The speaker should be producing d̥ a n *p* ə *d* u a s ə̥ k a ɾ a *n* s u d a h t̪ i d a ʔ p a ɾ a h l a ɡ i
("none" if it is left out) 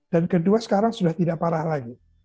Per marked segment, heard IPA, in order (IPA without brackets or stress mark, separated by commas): k, d, ŋ